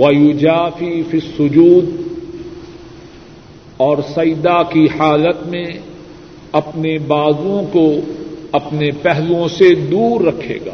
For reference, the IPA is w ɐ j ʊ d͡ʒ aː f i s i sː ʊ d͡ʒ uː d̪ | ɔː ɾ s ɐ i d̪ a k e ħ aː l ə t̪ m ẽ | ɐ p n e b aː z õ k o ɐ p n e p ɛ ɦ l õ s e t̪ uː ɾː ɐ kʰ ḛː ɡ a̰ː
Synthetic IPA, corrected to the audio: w ɐ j ʊ d͡ʒ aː f i f i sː ʊ d͡ʒ uː d̪ | ɔː ɾ s ɐ j d̪ a k i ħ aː l ə t̪ m ẽ | ɐ p n e b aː z õ k o ɐ p n e p ɛ ɦ l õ s e d̪ uː ɾː ɐ kʰ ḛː ɡ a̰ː